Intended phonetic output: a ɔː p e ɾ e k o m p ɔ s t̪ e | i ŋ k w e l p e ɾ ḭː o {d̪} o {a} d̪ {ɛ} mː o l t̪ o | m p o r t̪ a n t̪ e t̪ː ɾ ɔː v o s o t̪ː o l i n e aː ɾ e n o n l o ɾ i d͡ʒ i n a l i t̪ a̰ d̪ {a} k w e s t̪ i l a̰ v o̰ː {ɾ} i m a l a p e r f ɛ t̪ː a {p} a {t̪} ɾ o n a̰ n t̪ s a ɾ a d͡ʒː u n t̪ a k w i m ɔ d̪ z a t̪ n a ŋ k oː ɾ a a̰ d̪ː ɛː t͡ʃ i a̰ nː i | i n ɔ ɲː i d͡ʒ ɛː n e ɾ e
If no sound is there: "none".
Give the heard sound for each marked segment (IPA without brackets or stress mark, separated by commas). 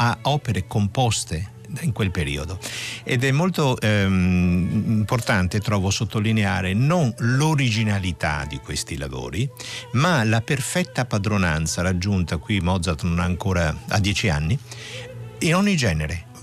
d̪, e, ɛ, i, ɾ, p, d̪